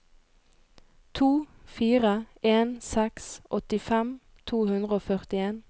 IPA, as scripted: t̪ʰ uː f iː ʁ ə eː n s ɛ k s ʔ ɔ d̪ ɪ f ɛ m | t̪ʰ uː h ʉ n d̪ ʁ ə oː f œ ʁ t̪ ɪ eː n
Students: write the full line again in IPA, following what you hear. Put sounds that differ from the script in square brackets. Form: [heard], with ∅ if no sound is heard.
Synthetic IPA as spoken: t̪ʰ uː f iː ʁ ə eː n s ɛ k s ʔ ɔ [t̪] ɪ f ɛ m | t̪ʰ uː h ʉ n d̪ ʁ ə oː f œ ʁ t̪ ɪ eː n